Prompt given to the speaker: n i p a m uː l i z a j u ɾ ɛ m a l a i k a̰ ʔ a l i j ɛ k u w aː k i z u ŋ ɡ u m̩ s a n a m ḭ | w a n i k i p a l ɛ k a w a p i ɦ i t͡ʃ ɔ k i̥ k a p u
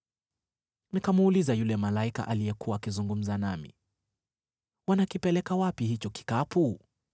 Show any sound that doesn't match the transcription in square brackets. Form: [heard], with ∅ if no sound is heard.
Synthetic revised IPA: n i [k] a m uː l i z a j u [l] ɛ m a l a i k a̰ ʔ a l i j ɛ k u w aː k i z u ŋ ɡ u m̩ [z] a n a m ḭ | w a n [a] k i p [ɛ] l ɛ k a w a p i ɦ i t͡ʃ ɔ k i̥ k a p u